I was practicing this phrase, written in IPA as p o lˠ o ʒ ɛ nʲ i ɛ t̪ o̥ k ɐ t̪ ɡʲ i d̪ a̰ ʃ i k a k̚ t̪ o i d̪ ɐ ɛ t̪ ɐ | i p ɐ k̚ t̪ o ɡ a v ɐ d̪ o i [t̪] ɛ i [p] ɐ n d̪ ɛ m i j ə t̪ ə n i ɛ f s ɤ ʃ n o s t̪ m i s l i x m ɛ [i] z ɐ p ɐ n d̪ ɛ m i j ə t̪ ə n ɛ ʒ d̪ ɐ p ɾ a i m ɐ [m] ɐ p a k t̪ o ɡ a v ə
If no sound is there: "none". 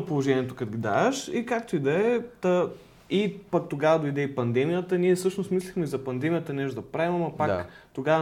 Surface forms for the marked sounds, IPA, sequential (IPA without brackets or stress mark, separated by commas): d̪, p, i, m